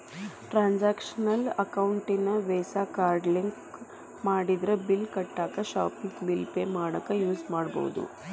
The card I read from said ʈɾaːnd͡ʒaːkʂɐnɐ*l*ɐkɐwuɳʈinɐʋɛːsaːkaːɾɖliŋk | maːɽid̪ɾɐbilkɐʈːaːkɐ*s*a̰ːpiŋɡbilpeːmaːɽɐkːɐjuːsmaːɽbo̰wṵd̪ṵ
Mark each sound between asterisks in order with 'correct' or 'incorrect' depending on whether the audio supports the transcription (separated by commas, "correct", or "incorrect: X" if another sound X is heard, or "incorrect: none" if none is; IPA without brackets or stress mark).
correct, incorrect: ʃ